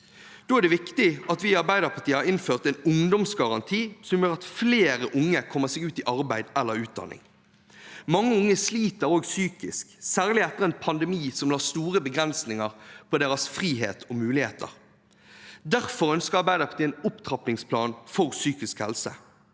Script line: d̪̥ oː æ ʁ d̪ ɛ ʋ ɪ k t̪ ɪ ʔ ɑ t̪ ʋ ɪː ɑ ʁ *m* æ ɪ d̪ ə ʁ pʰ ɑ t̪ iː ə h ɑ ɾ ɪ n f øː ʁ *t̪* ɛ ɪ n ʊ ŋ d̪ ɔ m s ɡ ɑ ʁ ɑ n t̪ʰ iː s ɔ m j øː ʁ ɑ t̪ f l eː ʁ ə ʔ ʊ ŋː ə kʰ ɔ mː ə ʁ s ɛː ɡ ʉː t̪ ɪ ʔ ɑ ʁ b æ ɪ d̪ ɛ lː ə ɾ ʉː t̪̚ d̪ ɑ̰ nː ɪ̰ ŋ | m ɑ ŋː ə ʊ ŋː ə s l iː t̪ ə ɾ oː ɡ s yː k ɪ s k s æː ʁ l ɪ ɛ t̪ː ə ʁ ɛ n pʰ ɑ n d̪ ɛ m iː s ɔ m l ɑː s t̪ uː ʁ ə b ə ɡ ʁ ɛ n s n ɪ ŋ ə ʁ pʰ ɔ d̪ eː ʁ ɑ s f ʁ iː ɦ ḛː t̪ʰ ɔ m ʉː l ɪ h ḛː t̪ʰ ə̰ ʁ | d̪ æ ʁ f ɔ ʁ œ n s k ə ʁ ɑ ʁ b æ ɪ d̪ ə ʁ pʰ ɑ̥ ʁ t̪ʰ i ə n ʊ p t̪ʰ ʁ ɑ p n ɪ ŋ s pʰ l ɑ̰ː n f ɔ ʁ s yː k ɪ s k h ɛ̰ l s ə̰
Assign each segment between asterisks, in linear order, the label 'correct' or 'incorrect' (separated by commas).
incorrect, correct